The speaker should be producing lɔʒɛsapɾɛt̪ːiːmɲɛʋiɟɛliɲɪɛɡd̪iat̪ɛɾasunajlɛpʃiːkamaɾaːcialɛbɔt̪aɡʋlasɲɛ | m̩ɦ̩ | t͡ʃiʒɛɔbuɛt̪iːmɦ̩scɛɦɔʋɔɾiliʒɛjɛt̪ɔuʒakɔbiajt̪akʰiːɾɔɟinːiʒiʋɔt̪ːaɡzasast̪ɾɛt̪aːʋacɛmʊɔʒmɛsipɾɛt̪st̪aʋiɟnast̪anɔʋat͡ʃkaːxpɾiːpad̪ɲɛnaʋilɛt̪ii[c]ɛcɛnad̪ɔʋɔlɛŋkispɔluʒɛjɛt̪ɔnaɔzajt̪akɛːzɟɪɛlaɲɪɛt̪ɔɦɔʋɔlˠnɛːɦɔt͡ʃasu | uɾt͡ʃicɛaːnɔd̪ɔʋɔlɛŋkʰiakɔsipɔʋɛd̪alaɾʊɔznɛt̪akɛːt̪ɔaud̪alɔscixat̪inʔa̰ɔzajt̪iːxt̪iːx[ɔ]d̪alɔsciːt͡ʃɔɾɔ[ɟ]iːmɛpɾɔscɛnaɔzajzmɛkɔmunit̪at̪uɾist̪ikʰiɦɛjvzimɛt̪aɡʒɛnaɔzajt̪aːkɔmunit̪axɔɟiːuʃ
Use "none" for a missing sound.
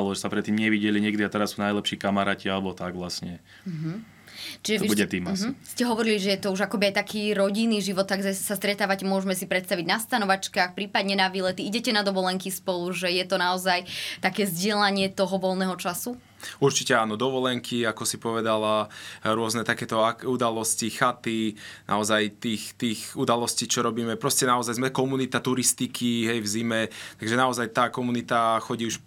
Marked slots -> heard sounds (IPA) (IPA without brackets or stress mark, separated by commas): ɟ, u, b